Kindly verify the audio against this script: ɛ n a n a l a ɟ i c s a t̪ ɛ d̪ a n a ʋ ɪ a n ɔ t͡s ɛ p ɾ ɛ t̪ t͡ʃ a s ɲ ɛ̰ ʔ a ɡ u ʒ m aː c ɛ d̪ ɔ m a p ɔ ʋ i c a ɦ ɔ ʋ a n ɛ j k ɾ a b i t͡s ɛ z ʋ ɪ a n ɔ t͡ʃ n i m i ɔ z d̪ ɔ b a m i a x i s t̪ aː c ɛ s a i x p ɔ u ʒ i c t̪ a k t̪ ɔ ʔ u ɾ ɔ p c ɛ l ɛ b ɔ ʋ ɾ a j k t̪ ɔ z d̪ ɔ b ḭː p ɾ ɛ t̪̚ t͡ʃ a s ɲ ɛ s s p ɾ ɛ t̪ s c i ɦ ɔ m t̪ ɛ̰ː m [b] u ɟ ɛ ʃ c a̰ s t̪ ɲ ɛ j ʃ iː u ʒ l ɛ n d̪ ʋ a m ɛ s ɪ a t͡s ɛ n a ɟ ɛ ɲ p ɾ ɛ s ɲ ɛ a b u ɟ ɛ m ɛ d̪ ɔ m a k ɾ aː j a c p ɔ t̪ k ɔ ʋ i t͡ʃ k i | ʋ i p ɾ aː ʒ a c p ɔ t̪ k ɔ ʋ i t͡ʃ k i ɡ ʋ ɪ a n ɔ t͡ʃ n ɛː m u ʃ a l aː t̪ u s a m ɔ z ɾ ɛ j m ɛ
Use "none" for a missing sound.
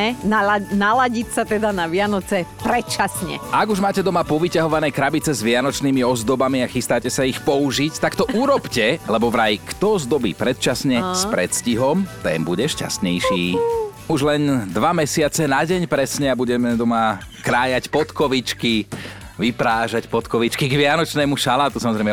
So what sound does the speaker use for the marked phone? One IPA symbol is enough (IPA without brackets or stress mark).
b